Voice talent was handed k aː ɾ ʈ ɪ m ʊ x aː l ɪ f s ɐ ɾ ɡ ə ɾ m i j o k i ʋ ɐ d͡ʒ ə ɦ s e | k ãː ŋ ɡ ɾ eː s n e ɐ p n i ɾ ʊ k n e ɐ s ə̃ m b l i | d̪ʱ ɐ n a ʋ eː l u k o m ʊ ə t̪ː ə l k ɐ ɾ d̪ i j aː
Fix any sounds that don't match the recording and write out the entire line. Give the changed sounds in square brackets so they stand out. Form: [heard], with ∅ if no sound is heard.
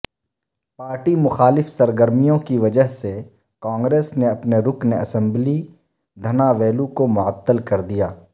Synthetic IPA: [p] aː ɾ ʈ [i] m ʊ x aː l ɪ f s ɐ ɾ ɡ ə ɾ m i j [õ] k i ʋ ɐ d͡ʒ ə ɦ s e | k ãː ŋ ɡ ɾ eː s n e ɐ p n [e] ɾ ʊ k n e ɐ s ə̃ m b l i | d̪ʱ ɐ n a ʋ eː l u k o m ʊ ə t̪ː ə l k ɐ ɾ d̪ i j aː